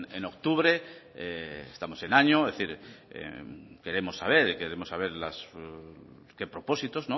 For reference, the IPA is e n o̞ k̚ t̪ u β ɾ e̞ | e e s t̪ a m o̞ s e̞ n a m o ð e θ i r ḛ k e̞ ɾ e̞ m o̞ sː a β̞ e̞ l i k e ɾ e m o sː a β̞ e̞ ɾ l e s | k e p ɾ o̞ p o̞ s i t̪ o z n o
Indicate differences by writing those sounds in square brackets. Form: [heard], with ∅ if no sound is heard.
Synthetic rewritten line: e n o̞ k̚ t̪ u β ɾ e̞ | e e s t̪ a m o̞ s e̞ n a [ɲ] o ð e θ i [ɾ] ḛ k e̞ ɾ e̞ m o̞ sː a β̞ e̞ [ɾ] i k e ɾ e m o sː a β̞ e̞ ɾ l [a] s | k e p ɾ o̞ p o̞ s i t̪ o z n o

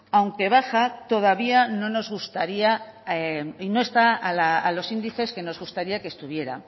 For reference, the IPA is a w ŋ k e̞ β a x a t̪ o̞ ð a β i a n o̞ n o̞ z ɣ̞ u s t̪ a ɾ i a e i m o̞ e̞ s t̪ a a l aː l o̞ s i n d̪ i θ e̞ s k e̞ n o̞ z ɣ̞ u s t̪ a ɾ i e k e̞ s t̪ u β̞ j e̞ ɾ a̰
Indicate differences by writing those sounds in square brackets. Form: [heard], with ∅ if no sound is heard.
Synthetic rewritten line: a w ŋ k e̞ β a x a t̪ o̞ ð a β i a n o̞ n o̞ z ɣ̞ u s t̪ a ɾ i a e i [n] o̞ e̞ s t̪ a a l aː l o̞ s i n d̪ i θ e̞ s k e̞ n o̞ z ɣ̞ u s t̪ a ɾ i [a] k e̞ s t̪ u β̞ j e̞ ɾ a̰

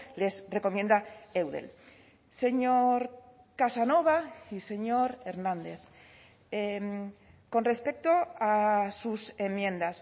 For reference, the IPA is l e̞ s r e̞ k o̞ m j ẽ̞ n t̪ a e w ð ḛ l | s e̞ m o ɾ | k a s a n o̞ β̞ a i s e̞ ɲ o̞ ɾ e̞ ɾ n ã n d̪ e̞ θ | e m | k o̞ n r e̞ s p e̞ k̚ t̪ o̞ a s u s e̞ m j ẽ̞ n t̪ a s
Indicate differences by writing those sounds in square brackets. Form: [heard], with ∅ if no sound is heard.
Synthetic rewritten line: l e̞ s r e̞ k o̞ m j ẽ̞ n [d̪] a e w ð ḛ l | s e̞ [ɲ] o ɾ | k a s a n o̞ β̞ a i s e̞ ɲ o̞ ɾ e̞ ɾ n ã n d̪ e̞ θ | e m | k o̞ n r e̞ s p e̞ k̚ t̪ o̞ a s u s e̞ m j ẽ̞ n [d̪] a s

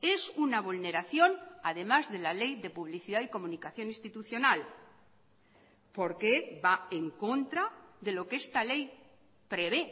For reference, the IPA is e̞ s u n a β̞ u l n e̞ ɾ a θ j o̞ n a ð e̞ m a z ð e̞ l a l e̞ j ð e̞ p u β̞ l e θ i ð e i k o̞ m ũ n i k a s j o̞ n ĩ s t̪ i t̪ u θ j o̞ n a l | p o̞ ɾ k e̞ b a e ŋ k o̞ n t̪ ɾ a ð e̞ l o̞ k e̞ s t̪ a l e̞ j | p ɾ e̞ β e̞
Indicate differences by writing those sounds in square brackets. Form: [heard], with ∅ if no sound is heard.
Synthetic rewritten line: e̞ s u n a β̞ u l n e̞ ɾ a θ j o̞ n a ð e̞ m a z ð e̞ l a l e̞ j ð e̞ p u β̞ l [i] θ i ð [a] i k o̞ m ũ n i k a [θ] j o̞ n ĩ s t̪ i t̪ u θ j o̞ n a l | p o̞ ɾ k e̞ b a e ŋ k o̞ n t̪ ɾ a ð e̞ l o̞ k e̞ s t̪ a l e̞ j | p ɾ e̞ β e̞

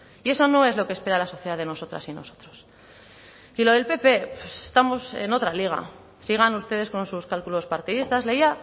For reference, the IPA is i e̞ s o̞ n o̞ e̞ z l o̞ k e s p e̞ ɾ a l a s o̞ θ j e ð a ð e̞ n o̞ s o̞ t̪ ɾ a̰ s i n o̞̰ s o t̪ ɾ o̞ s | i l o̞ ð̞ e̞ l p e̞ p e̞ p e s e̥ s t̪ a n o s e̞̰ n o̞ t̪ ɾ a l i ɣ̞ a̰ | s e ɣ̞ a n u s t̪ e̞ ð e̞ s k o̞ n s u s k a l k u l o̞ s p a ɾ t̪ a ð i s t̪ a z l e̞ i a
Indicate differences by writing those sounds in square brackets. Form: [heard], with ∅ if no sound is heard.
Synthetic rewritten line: i e̞ s o̞ n o̞ e̞ z l o̞ k e s p e̞ ɾ a l a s o̞ θ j e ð a ð e̞ n o̞ s o̞ t̪ ɾ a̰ s i n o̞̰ s o t̪ ɾ o̞ s | i l o̞ ð̞ e̞ l p e̞ p e̞ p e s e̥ s t̪ a [m] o s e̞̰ n o̞ t̪ ɾ a l i ɣ̞ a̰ | s [i] ɣ̞ a n u s t̪ e̞ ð e̞ s k o̞ n s u s k a l k u l o̞ s p a ɾ t̪ [i] ð i s t̪ a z l e̞ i a

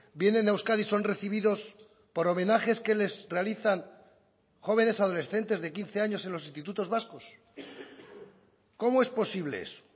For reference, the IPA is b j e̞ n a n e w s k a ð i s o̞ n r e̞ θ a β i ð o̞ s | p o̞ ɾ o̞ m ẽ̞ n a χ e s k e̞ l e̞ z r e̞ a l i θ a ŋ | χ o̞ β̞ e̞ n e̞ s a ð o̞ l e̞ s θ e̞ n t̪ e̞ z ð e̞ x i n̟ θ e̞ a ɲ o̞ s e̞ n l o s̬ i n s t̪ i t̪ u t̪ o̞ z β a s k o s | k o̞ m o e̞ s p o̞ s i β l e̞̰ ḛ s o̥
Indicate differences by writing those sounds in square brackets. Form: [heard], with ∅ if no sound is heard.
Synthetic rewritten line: b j e̞ n [e] n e w s k a ð i s o̞ n r e̞ θ [i] β i ð o̞ s | p o̞ ɾ o̞ m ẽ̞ n a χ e s k e̞ l e̞ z r e̞ a l i θ a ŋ | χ o̞ β̞ e̞ n e̞ s a ð o̞ l e̞ s θ e̞ n t̪ e̞ z ð e̞ [k] i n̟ θ e̞ a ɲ o̞ s e̞ n l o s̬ i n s t̪ i t̪ u t̪ o̞ z β a s k o s | k o̞ m o e̞ s p o̞ s i β l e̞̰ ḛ s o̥

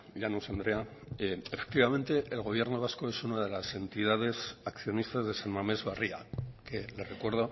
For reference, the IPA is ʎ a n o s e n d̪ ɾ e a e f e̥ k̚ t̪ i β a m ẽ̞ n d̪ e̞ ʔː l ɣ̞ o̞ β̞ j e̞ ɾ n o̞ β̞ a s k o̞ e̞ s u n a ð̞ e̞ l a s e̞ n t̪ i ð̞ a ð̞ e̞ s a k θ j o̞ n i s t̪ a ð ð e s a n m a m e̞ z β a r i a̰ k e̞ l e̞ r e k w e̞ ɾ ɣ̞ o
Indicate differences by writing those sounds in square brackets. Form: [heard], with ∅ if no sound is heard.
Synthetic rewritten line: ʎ a n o s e n d̪ ɾ e a e f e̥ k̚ t̪ i β a m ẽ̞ n [t̪] e̞ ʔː l ɣ̞ o̞ β̞ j e̞ ɾ n o̞ β̞ a s k o̞ e̞ s u n a ð̞ e̞ l a s e̞ n t̪ i ð̞ a ð̞ e̞ s a k θ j o̞ n i s t̪ a [z] ð e s a n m a m e̞ z β a r i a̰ k e̞ l e̞ r e k w e̞ ɾ [ð̞] o

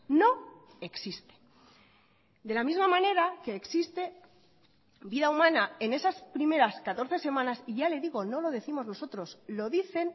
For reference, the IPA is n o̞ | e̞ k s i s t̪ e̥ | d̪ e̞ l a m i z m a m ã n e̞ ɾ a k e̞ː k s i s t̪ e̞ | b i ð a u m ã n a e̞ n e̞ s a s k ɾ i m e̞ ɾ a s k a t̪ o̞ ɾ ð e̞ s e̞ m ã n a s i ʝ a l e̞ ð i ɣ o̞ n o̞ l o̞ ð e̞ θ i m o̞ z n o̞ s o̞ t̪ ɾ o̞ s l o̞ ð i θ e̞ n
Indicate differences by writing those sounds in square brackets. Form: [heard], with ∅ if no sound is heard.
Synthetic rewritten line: n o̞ | e̞ k s i s t̪ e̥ | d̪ e̞ l a m i z m a m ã n e̞ ɾ a k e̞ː k s i s t̪ e̞ | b i ð a u m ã n a e̞ n e̞ s a s [p] ɾ i m e̞ ɾ a s k a t̪ o̞ ɾ [θ] e̞ s e̞ m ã n a s i ʝ a l e̞ ð i ɣ o̞ n o̞ l o̞ ð e̞ θ i m o̞ z n o̞ s o̞ t̪ ɾ o̞ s l o̞ ð i θ e̞ n

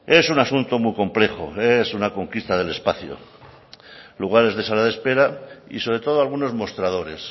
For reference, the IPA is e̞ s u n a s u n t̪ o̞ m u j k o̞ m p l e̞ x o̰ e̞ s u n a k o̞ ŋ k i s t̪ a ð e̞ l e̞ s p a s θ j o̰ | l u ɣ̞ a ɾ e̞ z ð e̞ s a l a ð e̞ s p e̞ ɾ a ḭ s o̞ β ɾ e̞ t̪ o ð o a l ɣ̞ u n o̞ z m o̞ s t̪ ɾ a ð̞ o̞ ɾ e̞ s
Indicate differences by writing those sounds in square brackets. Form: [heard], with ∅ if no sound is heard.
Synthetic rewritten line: e̞ s u n a s u n t̪ o̞ m u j k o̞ m p l e̞ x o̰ e̞ s u n a k o̞ ŋ k i s t̪ a ð e̞ l e̞ s p a [∅] θ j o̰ | l u ɣ̞ a ɾ e̞ z ð e̞ s a l a ð e̞ s p e̞ ɾ a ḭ s o̞ β ɾ e̞ t̪ o ð o a l ɣ̞ u n o̞ z m o̞ s t̪ ɾ a ð̞ o̞ ɾ e̞ s

